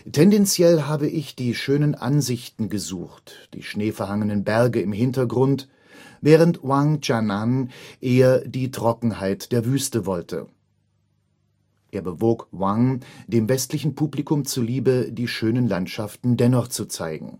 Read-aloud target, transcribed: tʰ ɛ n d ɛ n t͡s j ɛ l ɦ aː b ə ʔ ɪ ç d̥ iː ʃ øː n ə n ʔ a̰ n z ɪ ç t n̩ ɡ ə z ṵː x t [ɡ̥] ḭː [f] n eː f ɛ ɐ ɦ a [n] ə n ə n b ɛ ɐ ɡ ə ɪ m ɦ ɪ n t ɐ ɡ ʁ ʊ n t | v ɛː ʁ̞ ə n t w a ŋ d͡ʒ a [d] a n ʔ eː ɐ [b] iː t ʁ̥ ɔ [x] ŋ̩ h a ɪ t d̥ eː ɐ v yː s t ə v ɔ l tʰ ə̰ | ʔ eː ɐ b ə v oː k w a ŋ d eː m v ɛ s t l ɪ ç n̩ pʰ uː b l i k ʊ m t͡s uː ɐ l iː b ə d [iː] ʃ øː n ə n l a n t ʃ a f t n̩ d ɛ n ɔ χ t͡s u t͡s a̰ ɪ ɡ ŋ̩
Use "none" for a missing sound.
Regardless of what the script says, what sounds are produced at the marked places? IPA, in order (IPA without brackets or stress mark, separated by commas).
d̥, ʃ, ŋ, n, d, k, iː